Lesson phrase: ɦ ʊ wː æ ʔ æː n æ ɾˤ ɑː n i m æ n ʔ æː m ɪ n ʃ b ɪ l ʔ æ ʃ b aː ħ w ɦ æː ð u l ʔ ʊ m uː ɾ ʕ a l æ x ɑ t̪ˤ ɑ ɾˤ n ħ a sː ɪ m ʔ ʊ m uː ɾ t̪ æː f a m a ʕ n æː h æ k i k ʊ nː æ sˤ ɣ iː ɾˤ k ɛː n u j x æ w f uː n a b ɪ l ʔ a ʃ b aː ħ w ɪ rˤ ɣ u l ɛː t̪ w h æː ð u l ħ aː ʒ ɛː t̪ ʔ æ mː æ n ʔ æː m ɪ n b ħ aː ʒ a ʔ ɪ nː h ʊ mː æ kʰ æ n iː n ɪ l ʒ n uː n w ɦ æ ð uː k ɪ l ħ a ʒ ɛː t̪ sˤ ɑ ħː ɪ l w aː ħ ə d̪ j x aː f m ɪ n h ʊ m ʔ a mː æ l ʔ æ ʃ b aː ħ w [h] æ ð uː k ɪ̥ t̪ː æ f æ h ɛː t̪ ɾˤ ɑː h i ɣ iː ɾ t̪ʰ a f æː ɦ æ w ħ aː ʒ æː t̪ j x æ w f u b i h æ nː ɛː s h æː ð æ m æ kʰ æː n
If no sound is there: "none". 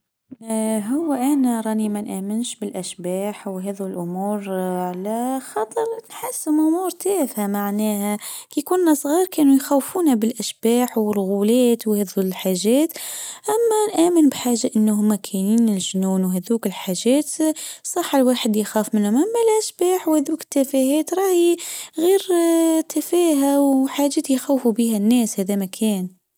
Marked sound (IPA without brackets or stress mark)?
h